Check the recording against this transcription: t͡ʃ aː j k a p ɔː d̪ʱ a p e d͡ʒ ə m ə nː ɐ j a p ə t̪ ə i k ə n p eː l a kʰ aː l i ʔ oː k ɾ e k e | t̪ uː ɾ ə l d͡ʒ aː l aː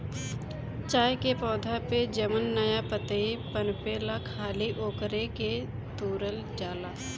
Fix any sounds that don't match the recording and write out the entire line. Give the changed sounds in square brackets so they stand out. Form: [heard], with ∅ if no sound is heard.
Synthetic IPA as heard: t͡ʃ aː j k [e] p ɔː d̪ʱ a p e d͡ʒ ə m ə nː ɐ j a p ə t̪ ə i [p] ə n p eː l a kʰ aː l i ʔ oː k ɾ e k e | t̪ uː ɾ ə l d͡ʒ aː l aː

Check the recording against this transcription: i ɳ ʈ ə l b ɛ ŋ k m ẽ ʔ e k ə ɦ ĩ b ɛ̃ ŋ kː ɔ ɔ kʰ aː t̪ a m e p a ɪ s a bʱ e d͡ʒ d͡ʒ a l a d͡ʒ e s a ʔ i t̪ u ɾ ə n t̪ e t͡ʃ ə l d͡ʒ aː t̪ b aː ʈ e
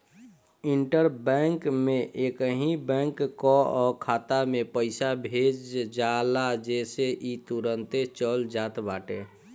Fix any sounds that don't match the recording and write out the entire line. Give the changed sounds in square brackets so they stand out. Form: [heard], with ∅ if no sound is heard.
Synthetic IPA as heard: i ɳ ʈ ə [ɾ] b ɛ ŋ k m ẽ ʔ e k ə ɦ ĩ b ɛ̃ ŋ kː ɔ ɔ kʰ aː t̪ a m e p [ə] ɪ s a bʱ e d͡ʒ d͡ʒ a l a d͡ʒ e s [e] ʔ i t̪ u ɾ ə n t̪ e t͡ʃ ə l d͡ʒ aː t̪ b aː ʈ e

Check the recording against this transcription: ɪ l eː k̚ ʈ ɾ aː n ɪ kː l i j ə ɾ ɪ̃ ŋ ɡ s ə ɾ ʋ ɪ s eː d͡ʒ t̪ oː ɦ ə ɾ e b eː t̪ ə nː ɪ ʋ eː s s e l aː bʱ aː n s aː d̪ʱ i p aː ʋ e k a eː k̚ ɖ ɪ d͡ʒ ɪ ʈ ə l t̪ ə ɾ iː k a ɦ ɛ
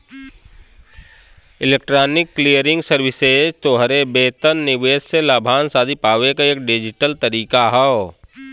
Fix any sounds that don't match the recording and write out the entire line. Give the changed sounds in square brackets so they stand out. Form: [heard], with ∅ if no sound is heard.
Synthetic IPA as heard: ɪ l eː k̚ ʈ ɾ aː n ɪ kː l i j ə ɾ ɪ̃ ŋ ɡ s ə ɾ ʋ ɪ s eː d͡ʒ t̪ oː ɦ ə ɾ e b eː t̪ ə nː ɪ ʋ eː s s e l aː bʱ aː n s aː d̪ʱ i p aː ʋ e k a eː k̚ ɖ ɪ d͡ʒ ɪ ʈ ə l t̪ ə ɾ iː k a ɦ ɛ

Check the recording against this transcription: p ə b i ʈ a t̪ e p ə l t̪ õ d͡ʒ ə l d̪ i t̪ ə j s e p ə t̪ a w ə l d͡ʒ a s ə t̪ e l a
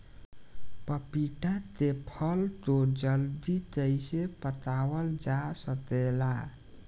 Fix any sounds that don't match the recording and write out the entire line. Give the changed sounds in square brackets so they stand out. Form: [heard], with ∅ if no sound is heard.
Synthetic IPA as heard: p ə [p] i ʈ a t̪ e [pʰ] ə l t̪ [o] d͡ʒ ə l d̪ i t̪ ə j s e p ə t̪ a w ə l d͡ʒ a s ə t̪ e l a

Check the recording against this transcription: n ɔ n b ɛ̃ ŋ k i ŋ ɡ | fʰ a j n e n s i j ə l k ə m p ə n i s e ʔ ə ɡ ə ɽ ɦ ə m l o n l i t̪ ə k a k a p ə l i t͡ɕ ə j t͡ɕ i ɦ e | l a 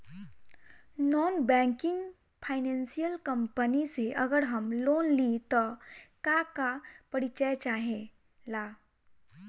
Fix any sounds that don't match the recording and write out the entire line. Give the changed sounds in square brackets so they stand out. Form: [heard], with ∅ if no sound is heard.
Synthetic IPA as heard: n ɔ n b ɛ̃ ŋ k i ŋ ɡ | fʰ a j n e n s i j ə l k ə m p ə n i s e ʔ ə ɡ ə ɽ ɦ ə m l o n l i t̪ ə k a k a p ə [ɽ] i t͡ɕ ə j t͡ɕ [a] ɦ e | l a

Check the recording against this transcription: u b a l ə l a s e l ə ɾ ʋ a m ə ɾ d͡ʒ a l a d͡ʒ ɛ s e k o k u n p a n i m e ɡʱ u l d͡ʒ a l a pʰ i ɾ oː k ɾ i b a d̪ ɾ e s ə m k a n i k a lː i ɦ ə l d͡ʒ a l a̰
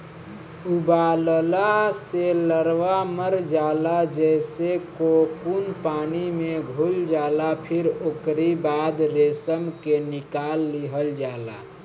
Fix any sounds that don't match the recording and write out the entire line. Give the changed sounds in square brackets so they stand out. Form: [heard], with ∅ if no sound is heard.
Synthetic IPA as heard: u b a l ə l a s e l ə ɾ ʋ a m ə ɾ d͡ʒ a l a d͡ʒ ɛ s e k o k u n p a n i m e ɡʱ u l d͡ʒ a l a pʰ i ɾ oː k ɾ i b a d̪ ɾ e s ə m k [e] n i k a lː i ɦ ə l d͡ʒ a l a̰

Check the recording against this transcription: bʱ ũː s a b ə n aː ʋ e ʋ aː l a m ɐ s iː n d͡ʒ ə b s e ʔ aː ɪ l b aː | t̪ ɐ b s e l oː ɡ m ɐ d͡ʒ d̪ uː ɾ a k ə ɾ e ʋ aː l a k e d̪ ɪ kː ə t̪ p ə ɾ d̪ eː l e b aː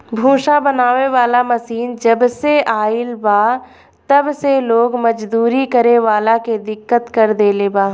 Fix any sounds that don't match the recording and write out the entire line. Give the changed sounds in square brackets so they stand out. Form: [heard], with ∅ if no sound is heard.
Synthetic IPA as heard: bʱ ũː [ʃ] a b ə n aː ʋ e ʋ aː l a m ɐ s iː n d͡ʒ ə b s e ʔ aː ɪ l b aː | t̪ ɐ b s e l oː ɡ m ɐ d͡ʒ d̪ uː ɾ [i] k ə ɾ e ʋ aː l a k e d̪ ɪ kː ə t̪ [k] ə ɾ d̪ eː l e b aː

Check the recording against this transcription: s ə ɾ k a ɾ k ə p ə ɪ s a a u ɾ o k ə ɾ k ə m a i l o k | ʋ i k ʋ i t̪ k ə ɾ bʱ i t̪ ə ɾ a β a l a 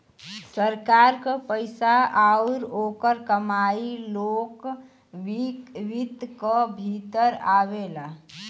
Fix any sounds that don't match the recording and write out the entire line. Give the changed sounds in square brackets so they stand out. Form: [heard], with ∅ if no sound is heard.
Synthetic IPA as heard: s ə ɾ k a ɾ k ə p ə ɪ s a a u ɾ o k ə ɾ k ə m a i l o k | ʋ i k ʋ i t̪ k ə [∅] bʱ i t̪ ə ɾ a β [e] l a

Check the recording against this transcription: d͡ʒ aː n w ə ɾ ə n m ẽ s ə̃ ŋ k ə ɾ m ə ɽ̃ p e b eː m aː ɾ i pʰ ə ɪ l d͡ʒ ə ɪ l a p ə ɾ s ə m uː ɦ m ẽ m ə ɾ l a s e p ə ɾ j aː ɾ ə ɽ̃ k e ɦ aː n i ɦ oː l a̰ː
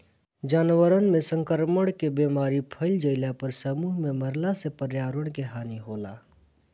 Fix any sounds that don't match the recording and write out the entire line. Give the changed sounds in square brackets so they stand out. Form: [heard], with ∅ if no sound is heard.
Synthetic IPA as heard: d͡ʒ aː n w ə ɾ ə n m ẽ s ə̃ ŋ k ə ɾ m ə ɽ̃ [k] e b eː m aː ɾ i pʰ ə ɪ l d͡ʒ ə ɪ l a p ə ɾ s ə m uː ɦ m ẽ m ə ɾ l a s e p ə ɾ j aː ɾ ə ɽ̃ k e ɦ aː n i ɦ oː l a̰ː

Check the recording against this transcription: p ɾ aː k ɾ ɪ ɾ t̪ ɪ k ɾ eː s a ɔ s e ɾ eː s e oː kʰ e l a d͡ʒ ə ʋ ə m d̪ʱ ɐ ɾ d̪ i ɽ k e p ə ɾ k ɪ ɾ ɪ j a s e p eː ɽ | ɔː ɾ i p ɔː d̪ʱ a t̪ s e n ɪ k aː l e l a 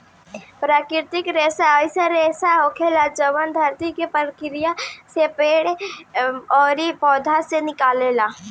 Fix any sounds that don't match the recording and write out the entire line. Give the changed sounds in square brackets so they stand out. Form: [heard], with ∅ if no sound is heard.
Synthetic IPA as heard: p ɾ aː k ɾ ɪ ɾ t̪ ɪ k ɾ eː s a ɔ s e ɾ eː s [a] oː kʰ e l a d͡ʒ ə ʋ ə [n] d̪ʱ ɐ ɾ [t̪] i [∅] k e p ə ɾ k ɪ ɾ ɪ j a s e p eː ɽ | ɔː ɾ i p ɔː d̪ʱ a [∅] s e n ɪ k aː l e l a

